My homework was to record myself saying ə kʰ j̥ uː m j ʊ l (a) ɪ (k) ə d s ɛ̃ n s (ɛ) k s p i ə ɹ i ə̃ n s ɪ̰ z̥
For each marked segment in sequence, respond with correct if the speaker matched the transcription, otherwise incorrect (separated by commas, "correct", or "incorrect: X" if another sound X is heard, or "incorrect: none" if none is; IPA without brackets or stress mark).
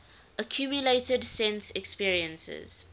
incorrect: e, incorrect: t, correct